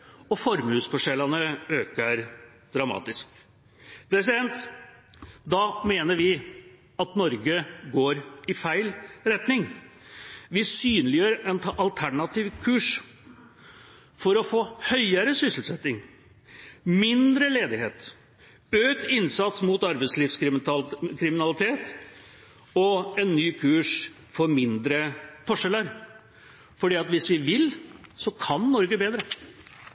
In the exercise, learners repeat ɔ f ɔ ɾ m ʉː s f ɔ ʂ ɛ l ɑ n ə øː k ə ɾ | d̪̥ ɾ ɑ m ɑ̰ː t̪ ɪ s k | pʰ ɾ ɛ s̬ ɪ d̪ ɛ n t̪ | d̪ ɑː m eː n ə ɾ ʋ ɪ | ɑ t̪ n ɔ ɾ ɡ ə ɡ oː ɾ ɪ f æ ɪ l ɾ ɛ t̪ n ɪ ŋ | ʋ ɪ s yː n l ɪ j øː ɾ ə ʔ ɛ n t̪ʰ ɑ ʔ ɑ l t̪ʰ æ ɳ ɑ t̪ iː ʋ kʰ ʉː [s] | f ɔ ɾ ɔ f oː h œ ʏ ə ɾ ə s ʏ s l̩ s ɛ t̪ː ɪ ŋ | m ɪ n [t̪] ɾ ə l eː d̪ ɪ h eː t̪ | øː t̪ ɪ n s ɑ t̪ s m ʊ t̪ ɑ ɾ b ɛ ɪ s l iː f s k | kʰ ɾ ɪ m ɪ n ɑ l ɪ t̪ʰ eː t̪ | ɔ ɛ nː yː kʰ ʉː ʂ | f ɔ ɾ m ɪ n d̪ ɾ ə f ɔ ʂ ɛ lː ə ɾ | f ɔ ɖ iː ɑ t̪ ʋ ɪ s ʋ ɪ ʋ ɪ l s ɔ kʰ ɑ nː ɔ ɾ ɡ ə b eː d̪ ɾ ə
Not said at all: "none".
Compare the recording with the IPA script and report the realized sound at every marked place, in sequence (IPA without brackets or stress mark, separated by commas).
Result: ʂ, d̪